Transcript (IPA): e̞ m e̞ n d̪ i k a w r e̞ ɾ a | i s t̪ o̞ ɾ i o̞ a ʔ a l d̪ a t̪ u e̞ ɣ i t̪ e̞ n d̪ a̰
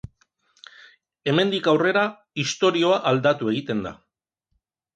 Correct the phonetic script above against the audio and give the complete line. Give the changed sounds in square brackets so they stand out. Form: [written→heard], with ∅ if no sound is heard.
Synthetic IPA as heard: e̞ m e̞ n d̪ i k a w r e̞ ɾ a | i s t̪ o̞ ɾ i o̞ a ʔ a l d̪ a t̪ u e̞ ɣ i t̪ e̞ n d̪ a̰

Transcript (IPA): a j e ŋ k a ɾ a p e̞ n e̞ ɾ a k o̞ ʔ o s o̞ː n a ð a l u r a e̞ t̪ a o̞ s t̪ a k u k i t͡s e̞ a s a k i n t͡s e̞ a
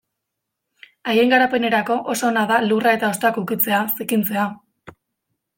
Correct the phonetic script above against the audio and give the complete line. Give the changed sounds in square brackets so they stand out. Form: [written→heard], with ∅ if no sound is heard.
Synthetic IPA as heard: a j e ŋ [k→ɡ] a ɾ a p e̞ n e̞ ɾ a k o̞ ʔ o s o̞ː n a ð a l u r a e̞ t̪ a o̞ s t̪ a k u k i t͡s e̞ a s [a→i] k i n t͡s e̞ a

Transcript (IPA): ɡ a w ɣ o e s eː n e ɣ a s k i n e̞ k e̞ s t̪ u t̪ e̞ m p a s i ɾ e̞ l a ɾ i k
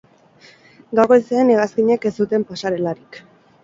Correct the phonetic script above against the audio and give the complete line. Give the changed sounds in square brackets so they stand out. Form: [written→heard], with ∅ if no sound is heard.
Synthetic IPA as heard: ɡ a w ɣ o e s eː n e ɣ a s k i [n→ɲ] e̞ k e̞ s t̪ u t̪ e̞ m p a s [i→a] ɾ e̞ l a ɾ i k

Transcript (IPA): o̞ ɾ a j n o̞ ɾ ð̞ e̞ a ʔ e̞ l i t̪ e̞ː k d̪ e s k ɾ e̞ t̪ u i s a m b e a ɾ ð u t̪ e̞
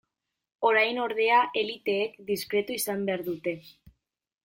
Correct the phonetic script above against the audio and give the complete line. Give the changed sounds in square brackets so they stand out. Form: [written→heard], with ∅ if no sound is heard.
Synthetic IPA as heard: o̞ ɾ a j n o̞ ɾ ð̞ e̞ a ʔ e̞ l i t̪ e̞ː k d̪ [e→i] s k ɾ e̞ t̪ u i s a m b e a ɾ ð u t̪ e̞

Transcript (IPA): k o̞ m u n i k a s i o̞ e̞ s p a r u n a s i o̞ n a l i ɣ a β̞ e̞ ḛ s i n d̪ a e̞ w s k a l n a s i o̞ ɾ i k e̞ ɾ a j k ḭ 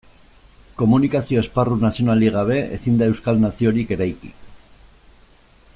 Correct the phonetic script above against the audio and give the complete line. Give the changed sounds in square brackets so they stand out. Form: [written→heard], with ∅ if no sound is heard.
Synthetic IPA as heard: k o̞ m u n i k a s i o̞ e̞ s p a r u n a s i o̞ n a l i ɣ a β̞ e̞ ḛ s i n d̪ a e̞ w s k a l n a s i o̞ ɾ i k e̞ ɾ a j k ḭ

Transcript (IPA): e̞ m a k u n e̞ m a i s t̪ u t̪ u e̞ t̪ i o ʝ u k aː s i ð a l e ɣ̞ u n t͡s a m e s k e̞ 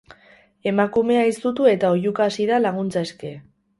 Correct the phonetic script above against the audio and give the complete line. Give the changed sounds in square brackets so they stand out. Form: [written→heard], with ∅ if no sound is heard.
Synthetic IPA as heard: e̞ m a k u [n→m] e̞ [m→∅] a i s t̪ u t̪ u e̞ t̪ [i→a] o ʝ u k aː s i ð a l [e→a] ɣ̞ u n t͡s a [m→∅] e s k e̞

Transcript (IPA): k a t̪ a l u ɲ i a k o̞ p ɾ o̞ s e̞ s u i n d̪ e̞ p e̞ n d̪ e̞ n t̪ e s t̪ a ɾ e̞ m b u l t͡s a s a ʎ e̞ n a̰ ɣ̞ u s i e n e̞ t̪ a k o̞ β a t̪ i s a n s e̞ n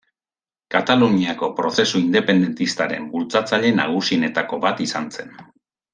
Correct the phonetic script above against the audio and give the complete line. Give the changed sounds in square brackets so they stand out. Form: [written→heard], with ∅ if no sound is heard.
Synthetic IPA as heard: k a t̪ a l u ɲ i a k o̞ p ɾ o̞ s e̞ s u i n d̪ e̞ p e̞ n d̪ e̞ n t̪ [e→i] s t̪ a ɾ e̞ m b u l t͡s a [s→t͡s] a ʎ e̞ n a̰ ɣ̞ u s i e n e̞ t̪ a k o̞ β a t̪ i s a n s e̞ n

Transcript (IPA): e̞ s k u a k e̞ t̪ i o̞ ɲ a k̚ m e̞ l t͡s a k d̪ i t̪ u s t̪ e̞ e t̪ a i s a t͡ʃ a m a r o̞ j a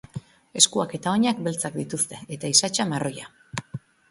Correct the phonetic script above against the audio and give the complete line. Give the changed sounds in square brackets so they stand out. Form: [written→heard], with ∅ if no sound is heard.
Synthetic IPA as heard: e̞ s k u a k e̞ t̪ [i→a] o̞ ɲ a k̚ [m→b] e̞ l t͡s a k d̪ i t̪ u s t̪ e̞ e t̪ a i s a t͡ʃ a m a r o̞ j a

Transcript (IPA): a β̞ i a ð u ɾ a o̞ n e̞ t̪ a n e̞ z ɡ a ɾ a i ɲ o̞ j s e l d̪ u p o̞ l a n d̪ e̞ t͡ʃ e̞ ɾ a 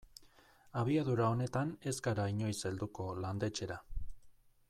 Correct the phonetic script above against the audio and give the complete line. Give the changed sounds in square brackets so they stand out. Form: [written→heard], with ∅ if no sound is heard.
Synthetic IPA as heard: a β̞ i a ð u ɾ a o̞ n e̞ t̪ a n e̞ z ɡ a ɾ a i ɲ o̞ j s e l d̪ u [p→k] o̞ l a n d̪ e̞ t͡ʃ e̞ ɾ a

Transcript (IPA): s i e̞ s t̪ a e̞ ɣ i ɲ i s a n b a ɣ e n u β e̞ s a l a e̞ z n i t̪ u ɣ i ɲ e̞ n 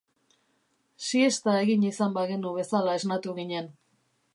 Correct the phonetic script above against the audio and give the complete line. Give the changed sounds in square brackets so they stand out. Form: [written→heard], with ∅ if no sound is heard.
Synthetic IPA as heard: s i e̞ s t̪ a e̞ ɣ i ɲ i s a [n→m] b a ɣ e n u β e̞ s a l a e̞ z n [i→a] t̪ u ɣ i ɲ e̞ n

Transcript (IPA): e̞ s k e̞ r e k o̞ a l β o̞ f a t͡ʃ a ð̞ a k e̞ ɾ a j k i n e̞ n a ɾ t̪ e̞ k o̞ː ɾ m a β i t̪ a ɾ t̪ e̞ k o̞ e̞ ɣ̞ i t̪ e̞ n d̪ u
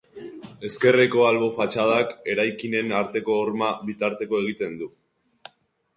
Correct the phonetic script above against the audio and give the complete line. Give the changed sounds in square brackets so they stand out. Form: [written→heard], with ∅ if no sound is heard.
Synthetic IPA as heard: e̞ s k e̞ r e k o̞ a l β o̞ f a t͡ʃ a ð̞ a k e̞ ɾ a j k i n e̞ n a ɾ t̪ e̞ k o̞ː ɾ m a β i t̪ a ɾ t̪ e̞ k o̞ e̞ ɣ̞ i t̪ e̞ n d̪ u

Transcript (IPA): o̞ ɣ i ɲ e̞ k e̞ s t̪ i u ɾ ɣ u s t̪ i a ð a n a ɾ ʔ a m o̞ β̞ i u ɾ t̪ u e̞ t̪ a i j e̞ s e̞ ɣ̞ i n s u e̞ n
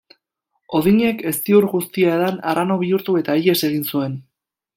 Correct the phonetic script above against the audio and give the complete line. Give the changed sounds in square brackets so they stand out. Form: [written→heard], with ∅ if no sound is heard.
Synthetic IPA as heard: o̞ [ɣ→ð] i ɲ e̞ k e̞ s t̪ i u ɾ ɣ u s t̪ i a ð a n a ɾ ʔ a [m→n] o̞ β̞ i u ɾ t̪ u e̞ t̪ a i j e̞ s e̞ ɣ̞ i n s u e̞ n

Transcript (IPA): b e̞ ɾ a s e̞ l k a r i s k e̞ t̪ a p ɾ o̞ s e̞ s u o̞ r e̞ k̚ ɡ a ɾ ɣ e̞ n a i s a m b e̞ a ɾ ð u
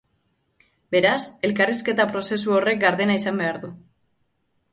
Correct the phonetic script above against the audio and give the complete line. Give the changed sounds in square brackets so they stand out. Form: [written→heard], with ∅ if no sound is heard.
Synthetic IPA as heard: b e̞ ɾ a s e̞ l k a r i s k e̞ t̪ a p ɾ o̞ s e̞ s u o̞ r e̞ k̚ ɡ a ɾ [ɣ→ð] e̞ n a i s a m b e̞ a ɾ ð u

